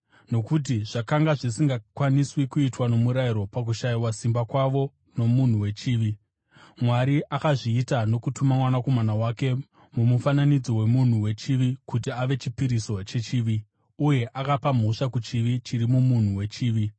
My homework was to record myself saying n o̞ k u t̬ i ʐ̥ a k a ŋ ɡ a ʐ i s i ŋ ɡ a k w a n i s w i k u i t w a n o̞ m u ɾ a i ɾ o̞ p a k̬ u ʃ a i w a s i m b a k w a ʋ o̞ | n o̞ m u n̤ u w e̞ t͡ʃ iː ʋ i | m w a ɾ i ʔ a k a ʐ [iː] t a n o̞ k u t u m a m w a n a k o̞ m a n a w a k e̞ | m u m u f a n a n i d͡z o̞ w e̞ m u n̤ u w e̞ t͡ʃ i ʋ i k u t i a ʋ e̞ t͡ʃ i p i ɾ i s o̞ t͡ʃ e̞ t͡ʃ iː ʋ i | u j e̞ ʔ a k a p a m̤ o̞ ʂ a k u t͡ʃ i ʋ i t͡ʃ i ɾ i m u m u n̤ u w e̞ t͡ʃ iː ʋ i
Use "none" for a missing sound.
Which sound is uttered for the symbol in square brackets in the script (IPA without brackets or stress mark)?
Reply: iː